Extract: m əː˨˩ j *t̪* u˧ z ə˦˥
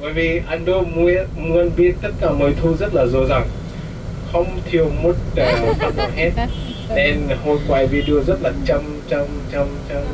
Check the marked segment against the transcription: incorrect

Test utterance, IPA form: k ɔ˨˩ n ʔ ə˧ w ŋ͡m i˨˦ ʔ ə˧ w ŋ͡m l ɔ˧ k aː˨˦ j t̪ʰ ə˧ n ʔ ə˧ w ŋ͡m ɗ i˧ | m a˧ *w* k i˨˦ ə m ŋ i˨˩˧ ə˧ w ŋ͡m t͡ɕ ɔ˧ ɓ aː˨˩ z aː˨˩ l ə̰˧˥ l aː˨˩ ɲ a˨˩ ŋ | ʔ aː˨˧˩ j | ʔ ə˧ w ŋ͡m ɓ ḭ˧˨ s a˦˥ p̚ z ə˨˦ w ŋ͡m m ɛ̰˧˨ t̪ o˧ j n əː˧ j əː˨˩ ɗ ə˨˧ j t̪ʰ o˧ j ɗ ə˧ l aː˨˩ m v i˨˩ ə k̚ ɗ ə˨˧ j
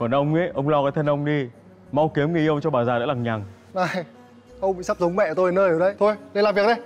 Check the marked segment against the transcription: correct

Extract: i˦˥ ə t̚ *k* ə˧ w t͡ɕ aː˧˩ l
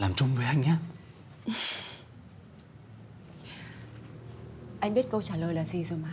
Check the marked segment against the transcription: correct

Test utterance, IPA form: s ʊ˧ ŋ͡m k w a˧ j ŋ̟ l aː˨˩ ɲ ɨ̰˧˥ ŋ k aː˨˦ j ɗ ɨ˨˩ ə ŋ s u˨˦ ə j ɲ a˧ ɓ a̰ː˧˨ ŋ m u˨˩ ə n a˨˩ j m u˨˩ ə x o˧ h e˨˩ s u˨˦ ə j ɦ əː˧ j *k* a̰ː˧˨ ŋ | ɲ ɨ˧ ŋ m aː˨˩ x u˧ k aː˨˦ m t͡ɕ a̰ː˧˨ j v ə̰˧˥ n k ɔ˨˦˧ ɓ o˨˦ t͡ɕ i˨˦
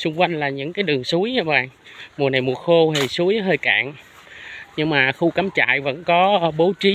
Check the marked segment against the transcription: correct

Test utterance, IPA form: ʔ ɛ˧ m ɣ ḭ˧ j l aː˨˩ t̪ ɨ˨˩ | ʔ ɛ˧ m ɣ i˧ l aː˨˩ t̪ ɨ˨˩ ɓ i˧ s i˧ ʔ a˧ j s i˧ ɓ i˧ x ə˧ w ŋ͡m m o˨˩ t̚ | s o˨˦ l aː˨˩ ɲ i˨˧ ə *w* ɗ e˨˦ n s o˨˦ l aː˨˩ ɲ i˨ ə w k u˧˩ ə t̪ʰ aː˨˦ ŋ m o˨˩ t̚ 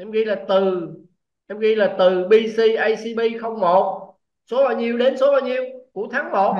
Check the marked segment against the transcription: correct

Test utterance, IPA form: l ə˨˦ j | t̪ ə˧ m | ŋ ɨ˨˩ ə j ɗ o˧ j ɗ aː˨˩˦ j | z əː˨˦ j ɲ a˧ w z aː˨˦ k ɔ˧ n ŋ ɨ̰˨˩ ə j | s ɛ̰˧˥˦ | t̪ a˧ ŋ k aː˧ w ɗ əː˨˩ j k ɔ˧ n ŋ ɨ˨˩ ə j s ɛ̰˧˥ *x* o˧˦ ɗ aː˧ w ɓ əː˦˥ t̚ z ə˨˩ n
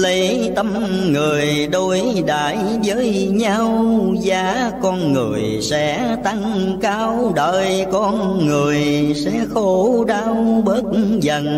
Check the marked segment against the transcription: correct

